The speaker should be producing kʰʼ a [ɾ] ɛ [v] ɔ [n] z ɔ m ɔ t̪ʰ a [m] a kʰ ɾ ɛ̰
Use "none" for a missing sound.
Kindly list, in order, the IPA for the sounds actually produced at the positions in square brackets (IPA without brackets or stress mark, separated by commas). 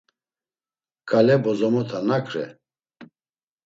l, b, none, n